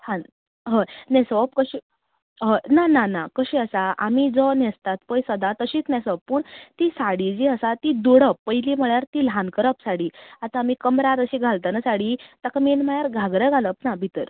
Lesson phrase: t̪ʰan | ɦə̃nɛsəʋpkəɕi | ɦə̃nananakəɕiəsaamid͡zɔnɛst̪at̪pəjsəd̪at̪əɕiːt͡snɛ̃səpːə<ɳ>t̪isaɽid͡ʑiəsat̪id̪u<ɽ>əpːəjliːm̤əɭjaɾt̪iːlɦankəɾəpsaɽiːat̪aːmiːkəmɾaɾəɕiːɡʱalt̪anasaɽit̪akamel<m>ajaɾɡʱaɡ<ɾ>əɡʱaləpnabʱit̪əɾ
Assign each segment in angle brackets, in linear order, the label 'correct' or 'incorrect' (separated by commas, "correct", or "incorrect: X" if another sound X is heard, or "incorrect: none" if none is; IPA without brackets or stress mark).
correct, correct, correct, correct